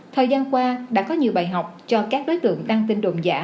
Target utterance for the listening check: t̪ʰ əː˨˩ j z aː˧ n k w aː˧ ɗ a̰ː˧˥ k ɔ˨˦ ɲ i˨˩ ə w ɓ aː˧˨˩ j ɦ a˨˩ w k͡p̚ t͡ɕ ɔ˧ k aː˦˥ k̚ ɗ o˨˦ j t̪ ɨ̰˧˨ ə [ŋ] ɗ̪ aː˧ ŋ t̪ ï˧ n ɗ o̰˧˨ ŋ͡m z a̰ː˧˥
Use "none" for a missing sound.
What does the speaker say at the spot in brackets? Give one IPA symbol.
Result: ŋ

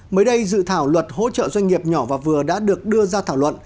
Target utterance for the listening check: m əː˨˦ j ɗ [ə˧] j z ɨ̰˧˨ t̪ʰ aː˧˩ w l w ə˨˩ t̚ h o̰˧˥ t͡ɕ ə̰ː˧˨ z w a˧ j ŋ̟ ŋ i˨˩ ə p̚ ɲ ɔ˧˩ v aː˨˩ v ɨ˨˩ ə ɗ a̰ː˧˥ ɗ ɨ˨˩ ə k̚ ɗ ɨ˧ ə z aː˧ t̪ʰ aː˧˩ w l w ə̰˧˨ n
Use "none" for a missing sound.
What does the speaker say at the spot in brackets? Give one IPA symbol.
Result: ə˧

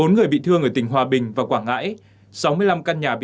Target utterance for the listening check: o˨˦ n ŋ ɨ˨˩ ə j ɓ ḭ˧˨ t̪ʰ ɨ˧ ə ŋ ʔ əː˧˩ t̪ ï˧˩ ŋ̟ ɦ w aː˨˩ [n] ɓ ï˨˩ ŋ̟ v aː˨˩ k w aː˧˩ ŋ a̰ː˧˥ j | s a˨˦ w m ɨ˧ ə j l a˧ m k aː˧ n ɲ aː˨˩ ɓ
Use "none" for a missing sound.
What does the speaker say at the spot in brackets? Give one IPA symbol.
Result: none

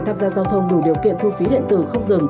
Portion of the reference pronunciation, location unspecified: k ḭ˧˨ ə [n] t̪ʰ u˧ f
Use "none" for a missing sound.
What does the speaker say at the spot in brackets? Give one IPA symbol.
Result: n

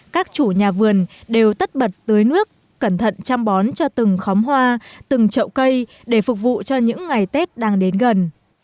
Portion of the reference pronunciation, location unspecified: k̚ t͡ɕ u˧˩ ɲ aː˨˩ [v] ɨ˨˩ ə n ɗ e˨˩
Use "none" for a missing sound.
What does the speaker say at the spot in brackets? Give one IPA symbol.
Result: v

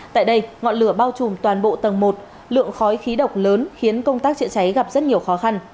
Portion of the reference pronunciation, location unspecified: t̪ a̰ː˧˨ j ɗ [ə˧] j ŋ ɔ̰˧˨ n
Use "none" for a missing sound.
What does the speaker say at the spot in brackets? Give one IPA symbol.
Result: ə˧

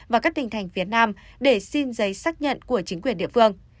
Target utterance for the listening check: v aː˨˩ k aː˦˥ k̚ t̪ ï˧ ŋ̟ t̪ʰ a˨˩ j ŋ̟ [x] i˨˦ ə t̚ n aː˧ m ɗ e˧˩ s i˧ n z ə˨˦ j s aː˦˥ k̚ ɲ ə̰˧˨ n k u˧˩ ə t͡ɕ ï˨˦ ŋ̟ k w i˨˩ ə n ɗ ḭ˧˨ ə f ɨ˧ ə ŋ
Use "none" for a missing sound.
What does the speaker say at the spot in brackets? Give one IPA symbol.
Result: f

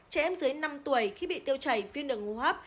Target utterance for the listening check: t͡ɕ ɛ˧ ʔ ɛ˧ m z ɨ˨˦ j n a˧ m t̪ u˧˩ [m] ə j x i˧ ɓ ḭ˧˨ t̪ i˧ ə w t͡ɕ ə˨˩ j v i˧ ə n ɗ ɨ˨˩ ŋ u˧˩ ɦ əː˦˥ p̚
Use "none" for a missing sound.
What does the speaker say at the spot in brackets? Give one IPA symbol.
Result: none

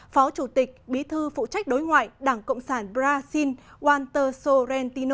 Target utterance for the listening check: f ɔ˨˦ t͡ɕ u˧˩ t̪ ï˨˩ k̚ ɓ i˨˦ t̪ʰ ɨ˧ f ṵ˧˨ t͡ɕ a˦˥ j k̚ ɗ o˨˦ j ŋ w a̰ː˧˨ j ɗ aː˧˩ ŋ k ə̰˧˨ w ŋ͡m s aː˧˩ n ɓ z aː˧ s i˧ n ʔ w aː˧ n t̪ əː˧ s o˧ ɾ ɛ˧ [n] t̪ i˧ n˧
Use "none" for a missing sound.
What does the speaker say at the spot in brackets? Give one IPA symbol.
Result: n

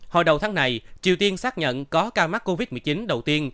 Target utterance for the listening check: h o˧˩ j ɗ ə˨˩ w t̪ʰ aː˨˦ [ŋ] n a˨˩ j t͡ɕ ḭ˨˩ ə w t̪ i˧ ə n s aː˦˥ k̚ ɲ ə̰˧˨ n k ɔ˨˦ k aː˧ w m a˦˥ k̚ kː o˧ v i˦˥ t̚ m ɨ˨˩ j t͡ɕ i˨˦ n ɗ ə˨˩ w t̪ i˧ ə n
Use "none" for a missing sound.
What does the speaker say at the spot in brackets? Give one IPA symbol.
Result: ŋ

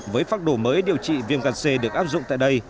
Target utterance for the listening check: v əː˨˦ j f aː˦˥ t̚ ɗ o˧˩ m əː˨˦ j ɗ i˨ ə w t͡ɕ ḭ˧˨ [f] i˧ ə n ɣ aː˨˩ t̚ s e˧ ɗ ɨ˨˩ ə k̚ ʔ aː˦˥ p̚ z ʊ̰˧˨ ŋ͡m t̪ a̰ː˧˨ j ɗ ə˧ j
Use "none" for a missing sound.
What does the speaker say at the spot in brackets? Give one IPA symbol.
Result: v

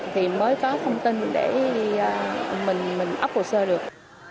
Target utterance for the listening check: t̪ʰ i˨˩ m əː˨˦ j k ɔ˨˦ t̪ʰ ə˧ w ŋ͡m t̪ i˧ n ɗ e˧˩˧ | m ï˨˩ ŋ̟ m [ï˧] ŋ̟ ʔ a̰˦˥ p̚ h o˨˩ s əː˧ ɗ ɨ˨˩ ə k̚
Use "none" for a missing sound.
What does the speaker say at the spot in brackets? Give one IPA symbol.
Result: ï˨˩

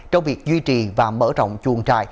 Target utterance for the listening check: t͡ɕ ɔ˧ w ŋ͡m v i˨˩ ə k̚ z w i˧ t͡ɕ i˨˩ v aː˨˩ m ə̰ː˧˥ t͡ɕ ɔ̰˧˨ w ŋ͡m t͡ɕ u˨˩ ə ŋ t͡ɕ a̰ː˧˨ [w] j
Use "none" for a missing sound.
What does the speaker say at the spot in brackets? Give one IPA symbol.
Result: none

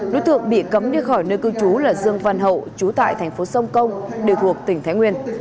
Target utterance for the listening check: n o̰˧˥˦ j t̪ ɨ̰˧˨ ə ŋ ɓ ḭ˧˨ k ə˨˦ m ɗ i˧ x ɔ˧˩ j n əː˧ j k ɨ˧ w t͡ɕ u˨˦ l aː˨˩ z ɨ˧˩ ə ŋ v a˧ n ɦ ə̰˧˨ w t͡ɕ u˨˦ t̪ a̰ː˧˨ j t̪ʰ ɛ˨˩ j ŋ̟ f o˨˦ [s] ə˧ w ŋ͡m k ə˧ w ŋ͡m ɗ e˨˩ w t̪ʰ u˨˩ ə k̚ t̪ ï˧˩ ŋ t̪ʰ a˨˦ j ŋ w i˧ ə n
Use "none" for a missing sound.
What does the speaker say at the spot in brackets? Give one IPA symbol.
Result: s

